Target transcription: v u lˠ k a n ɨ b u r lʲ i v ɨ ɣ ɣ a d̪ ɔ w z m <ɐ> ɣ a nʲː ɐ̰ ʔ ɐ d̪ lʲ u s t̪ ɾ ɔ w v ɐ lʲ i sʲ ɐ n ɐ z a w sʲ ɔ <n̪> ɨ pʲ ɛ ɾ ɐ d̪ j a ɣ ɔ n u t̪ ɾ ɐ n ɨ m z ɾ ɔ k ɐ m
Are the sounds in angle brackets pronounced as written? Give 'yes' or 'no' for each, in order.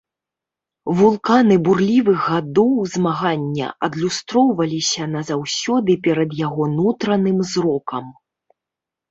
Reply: no, no

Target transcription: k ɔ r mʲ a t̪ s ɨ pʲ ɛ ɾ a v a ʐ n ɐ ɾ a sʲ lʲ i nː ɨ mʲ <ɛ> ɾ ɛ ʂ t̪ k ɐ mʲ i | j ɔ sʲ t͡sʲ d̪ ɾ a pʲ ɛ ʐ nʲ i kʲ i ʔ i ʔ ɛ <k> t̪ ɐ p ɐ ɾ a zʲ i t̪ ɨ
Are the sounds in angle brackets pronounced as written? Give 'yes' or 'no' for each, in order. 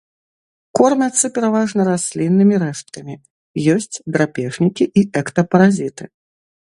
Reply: no, yes

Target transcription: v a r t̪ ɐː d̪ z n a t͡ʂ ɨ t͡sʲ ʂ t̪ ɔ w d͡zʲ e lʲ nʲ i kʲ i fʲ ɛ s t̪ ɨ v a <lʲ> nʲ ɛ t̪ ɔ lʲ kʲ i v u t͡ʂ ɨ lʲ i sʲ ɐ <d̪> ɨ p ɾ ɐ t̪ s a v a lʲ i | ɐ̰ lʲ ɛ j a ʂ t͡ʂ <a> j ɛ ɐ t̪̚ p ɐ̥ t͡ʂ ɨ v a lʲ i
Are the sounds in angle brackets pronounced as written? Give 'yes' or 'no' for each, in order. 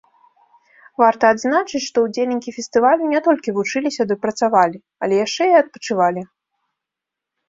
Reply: yes, yes, no

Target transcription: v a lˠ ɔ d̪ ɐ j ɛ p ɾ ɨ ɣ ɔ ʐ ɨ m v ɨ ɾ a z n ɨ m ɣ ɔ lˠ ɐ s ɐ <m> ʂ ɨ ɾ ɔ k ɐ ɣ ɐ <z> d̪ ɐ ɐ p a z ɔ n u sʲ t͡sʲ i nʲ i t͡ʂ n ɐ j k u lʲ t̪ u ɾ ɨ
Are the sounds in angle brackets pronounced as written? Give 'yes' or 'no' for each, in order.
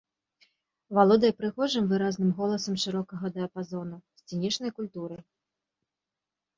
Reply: yes, no

